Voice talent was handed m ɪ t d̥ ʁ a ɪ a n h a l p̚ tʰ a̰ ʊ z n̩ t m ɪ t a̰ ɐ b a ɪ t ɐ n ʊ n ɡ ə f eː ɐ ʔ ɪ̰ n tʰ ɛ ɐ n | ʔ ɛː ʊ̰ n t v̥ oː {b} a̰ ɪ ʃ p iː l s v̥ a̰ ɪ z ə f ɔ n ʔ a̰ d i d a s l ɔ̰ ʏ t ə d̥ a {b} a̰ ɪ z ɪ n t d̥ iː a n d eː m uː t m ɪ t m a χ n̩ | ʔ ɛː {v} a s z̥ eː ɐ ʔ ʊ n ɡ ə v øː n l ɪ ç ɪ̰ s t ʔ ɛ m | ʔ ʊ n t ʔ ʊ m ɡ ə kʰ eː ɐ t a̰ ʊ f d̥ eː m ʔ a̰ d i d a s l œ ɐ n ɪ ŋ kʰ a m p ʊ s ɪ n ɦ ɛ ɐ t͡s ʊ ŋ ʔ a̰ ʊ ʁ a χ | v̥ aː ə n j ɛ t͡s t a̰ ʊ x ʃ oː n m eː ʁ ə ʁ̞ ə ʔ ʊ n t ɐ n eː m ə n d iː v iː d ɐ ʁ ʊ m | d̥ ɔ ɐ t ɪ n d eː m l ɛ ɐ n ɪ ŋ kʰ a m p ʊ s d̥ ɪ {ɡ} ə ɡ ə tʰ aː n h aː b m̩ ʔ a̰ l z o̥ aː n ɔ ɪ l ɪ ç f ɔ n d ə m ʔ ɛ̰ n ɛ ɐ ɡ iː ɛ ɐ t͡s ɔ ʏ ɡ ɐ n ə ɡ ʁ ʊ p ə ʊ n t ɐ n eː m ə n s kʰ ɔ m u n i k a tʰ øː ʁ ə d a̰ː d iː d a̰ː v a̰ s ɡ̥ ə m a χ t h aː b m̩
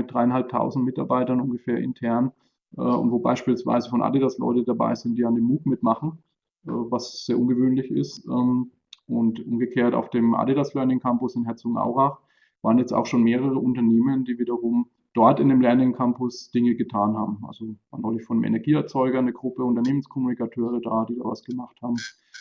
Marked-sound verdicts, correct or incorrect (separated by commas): correct, correct, correct, incorrect